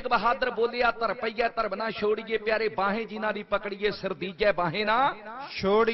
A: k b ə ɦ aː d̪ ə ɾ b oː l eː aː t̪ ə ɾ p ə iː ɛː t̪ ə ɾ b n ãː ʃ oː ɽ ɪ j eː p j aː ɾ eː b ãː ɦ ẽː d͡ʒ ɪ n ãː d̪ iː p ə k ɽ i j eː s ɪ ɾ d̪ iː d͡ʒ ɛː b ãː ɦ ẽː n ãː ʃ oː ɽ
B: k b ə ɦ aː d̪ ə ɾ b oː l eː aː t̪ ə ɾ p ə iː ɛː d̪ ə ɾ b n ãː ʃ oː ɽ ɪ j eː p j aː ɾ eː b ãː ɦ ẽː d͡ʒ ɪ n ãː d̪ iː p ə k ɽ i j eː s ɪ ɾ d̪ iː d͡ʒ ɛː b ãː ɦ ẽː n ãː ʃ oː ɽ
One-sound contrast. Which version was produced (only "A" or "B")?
A